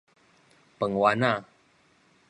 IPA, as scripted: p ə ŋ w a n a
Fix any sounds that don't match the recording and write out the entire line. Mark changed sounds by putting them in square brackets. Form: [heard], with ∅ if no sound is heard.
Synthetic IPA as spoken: p ə ŋ w a n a